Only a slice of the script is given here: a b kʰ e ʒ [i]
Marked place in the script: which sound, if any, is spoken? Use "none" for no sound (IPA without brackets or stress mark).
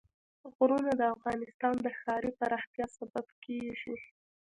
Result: i